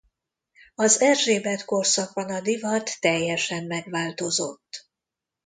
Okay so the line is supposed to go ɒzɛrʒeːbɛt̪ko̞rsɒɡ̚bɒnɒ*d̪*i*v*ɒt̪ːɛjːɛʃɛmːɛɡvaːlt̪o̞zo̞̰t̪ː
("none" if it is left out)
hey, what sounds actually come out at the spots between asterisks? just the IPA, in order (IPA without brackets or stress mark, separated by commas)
d̪, v